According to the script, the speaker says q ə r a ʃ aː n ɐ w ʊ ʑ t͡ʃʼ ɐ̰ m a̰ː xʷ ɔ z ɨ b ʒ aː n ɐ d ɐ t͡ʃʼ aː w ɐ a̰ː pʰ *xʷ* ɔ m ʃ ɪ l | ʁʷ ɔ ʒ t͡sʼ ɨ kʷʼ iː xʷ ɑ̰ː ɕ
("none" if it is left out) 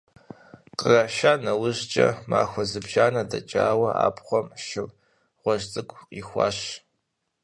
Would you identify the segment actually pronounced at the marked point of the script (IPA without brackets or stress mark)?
χʷ